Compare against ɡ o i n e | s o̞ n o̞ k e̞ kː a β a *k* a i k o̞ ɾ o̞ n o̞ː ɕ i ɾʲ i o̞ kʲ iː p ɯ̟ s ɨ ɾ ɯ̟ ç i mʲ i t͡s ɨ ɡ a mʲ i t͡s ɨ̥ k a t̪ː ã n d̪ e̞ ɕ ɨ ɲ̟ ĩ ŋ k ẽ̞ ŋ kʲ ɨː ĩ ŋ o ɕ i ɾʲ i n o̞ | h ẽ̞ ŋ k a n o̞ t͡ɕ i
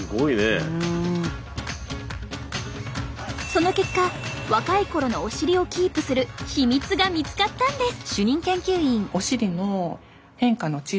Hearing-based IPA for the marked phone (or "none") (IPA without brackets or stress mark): k